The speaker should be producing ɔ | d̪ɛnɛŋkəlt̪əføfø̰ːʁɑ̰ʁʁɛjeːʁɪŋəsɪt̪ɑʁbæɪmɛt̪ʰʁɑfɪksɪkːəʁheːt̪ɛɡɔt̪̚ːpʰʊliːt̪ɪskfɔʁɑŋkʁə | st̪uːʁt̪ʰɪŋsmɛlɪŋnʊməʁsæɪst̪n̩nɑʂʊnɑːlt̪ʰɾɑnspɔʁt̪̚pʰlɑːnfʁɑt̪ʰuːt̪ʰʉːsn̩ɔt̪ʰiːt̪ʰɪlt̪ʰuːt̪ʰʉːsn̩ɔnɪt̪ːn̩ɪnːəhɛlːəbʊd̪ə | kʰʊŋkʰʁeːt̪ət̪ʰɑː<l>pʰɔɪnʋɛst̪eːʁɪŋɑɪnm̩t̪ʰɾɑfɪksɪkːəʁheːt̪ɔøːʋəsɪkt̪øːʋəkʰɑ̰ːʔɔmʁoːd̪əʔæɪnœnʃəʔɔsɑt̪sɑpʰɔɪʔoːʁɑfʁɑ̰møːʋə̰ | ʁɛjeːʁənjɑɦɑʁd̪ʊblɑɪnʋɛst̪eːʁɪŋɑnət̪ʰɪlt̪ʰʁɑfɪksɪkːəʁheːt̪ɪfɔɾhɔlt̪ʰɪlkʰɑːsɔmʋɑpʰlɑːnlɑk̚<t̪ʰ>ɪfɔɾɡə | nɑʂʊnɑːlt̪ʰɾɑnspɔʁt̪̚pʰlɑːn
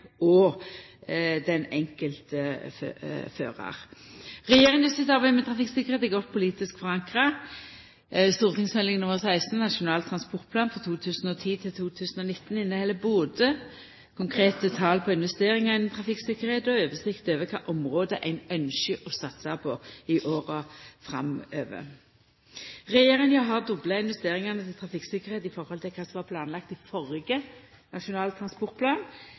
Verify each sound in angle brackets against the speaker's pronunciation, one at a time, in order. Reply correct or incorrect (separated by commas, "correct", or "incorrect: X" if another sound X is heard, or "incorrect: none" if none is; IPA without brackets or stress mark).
correct, incorrect: t̪